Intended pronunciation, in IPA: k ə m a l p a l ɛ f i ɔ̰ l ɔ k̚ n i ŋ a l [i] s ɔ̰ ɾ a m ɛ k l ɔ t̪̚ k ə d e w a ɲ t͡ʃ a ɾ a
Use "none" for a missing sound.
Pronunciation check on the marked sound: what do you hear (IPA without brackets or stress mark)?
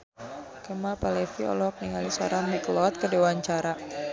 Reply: i